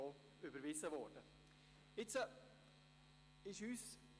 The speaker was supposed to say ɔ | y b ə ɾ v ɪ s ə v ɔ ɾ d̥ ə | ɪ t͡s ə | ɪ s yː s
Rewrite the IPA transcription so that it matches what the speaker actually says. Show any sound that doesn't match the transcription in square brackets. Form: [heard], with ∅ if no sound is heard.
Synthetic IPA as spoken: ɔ | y b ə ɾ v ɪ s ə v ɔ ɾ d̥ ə | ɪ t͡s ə | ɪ [ʃ] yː s